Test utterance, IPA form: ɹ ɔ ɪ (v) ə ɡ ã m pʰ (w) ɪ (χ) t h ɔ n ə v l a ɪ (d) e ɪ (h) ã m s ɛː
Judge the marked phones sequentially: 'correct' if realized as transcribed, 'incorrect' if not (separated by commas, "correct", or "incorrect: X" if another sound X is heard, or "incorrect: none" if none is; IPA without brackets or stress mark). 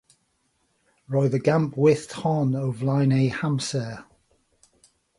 incorrect: ð, correct, incorrect: θ, incorrect: n, correct